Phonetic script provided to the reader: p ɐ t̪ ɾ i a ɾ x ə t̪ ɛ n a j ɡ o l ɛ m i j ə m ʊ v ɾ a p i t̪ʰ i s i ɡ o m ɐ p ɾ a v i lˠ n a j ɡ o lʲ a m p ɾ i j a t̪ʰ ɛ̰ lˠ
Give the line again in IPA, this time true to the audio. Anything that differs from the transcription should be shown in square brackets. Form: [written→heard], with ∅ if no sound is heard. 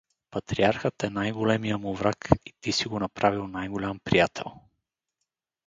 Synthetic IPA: p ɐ t̪ ɾ i a ɾ x ə t̪ ɛ n a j ɡ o l ɛ m i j ə m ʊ v ɾ a [p→k] i [t̪ʰ→t̪] i s i ɡ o [m→n] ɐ p ɾ a v i lˠ n a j ɡ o lʲ a m p ɾ i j a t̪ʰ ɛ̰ lˠ